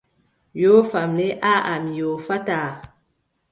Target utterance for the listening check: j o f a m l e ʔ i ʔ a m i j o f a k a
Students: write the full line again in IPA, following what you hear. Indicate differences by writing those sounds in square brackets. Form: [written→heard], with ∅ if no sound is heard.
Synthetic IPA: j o f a m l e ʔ [i→a] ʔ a m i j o f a [k→t] a

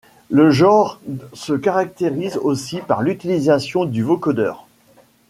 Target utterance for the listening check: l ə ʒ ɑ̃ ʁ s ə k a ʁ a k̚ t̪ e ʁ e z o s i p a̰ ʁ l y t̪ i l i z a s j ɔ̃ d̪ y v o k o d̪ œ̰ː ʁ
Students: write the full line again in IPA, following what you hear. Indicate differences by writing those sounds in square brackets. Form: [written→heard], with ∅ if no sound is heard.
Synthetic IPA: l ə ʒ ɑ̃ ʁ s ə k a ʁ a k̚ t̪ e ʁ [e→i] z o s i p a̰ ʁ l y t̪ i l i z a s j ɔ̃ d̪ y v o k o d̪ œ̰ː ʁ

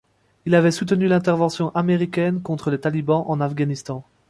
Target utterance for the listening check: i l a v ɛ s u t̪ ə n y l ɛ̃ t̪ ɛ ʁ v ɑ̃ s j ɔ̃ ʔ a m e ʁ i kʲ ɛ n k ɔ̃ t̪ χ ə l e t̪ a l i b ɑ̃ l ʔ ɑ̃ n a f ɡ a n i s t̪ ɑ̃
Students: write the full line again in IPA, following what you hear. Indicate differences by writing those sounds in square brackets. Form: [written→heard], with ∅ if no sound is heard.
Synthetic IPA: i l a v ɛ s u t̪ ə n y l ɛ̃ t̪ ɛ ʁ v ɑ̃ s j ɔ̃ ʔ a m e ʁ i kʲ ɛ n k ɔ̃ t̪ χ ə l e t̪ a l i b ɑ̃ [l→∅] ʔ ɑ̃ n a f ɡ a n i s t̪ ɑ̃

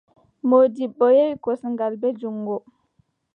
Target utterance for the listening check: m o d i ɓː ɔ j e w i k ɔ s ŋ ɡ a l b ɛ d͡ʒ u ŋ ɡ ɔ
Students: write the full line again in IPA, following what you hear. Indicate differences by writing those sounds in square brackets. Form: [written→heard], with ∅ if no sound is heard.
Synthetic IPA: m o d i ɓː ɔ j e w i k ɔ s ŋ ɡ a l b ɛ d͡ʒ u ŋ ɡ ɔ

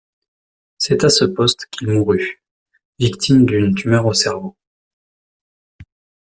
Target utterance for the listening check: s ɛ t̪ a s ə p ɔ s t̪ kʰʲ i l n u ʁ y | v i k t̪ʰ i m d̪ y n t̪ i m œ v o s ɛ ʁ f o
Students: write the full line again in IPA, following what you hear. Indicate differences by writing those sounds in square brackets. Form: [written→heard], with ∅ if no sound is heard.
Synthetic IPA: s ɛ t̪ a s ə p ɔ s t̪ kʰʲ i l [n→m] u ʁ y | v i k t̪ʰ i m d̪ y n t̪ [i→y] m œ [v→ʁ] o s ɛ ʁ [f→v] o

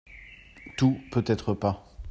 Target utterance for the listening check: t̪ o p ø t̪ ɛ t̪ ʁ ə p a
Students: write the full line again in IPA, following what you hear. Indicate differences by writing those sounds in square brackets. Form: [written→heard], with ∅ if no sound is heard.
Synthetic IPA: t̪ [o→u] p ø t̪ ɛ t̪ [ʁ→χ] ə p a

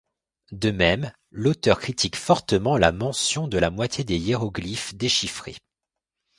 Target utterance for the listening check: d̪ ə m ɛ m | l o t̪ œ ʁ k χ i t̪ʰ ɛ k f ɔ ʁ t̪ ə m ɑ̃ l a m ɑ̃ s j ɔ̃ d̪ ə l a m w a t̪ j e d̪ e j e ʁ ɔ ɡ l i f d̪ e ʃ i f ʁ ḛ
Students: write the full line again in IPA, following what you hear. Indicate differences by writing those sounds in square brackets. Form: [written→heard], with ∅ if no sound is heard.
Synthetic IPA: d̪ ə m ɛ m | l o t̪ œ ʁ k χ i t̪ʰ [ɛ→i] k f ɔ ʁ t̪ ə m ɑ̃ l a m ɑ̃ s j ɔ̃ d̪ ə l a m w a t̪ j e d̪ e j e ʁ ɔ ɡ l i f d̪ e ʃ i f [ʁ→χ] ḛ

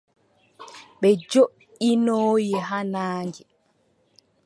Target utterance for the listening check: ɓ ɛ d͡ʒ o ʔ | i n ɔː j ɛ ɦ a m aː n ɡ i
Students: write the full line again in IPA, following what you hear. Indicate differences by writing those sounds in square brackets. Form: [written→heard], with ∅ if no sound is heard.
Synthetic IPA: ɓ ɛ d͡ʒ o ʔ | i n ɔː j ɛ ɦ a [m→n] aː [n→ŋ] ɡ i

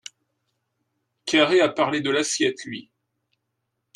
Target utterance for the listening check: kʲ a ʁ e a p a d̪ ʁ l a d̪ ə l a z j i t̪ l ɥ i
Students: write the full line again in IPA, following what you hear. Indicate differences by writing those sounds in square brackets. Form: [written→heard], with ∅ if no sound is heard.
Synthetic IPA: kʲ a ʁ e a p a [d̪→∅] ʁ l [a→e] d̪ ə l a [z→s] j [i→ɛ] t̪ l ɥ i

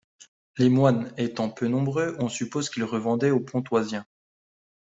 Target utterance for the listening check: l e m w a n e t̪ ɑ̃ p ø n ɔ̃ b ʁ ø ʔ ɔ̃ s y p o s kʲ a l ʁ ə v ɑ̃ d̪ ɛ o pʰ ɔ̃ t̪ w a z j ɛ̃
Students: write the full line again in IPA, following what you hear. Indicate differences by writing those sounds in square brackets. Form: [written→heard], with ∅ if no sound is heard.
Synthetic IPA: l e m w a n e t̪ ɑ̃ p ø n ɔ̃ b ʁ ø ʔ ɔ̃ s y p o [s→z] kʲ [a→i] l ʁ ə v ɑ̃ d̪ ɛ o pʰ ɔ̃ t̪ w a z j ɛ̃

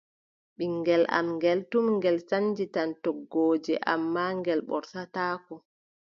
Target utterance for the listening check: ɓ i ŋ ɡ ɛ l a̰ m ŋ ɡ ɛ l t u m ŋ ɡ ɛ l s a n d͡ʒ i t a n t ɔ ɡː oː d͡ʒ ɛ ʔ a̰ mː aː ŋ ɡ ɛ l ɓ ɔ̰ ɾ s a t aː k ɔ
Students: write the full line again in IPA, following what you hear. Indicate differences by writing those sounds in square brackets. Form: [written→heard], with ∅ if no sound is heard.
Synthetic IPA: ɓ i ŋ ɡ ɛ l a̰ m ŋ ɡ ɛ l t u m ŋ ɡ ɛ l s a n d͡ʒ i t a n t ɔ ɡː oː d͡ʒ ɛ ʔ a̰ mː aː ŋ ɡ ɛ l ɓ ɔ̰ ɾ s a t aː k ɔ

